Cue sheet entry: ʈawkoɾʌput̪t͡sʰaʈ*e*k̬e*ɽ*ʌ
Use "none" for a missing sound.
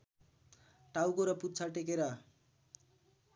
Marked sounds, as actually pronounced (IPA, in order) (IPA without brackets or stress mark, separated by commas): e, ɾ